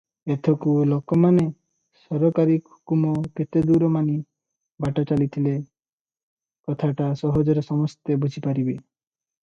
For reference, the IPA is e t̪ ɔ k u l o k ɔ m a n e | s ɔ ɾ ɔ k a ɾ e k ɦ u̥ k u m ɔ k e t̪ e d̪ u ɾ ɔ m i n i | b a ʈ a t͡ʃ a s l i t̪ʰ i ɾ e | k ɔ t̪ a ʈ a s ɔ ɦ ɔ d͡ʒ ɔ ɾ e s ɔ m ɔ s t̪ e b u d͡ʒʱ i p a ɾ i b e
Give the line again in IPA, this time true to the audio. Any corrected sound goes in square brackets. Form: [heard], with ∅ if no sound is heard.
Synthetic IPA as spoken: e [t̪ʰ] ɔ k u l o k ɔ m a n e | s ɔ ɾ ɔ k a ɾ [i] k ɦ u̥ k u m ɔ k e t̪ e d̪ u ɾ ɔ m [a] n i | b a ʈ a t͡ʃ a [∅] l i t̪ʰ i [l] e | k ɔ [t̪ʰ] a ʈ a s ɔ ɦ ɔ d͡ʒ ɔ ɾ e s ɔ m ɔ s t̪ e b u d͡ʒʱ i p a ɾ i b e